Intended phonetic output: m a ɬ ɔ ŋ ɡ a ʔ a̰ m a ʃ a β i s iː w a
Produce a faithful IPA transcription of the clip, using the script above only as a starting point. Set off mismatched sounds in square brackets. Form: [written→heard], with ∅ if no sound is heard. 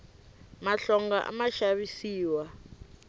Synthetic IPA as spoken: m a ɬ ɔ ŋ ɡ a ʔ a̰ m a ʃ a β i s iː w a